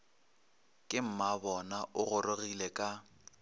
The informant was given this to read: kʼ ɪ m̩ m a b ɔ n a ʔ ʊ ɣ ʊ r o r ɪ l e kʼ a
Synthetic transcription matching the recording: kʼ ɪ m̩ m a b ɔ n a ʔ ʊ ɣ ʊ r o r i l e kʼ a